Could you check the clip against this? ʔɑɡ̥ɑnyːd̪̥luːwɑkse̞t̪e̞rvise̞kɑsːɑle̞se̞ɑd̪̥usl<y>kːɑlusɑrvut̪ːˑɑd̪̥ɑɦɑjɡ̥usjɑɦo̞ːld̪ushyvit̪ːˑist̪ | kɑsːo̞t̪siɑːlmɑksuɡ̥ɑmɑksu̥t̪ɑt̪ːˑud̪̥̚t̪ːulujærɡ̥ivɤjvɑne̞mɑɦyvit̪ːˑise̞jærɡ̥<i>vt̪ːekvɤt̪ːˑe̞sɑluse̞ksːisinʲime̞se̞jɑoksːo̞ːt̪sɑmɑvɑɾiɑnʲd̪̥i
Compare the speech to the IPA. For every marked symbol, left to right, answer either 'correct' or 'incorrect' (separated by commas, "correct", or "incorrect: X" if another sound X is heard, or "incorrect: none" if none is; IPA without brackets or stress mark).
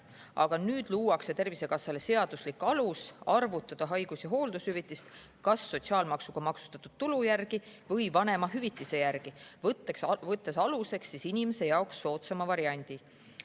incorrect: i, correct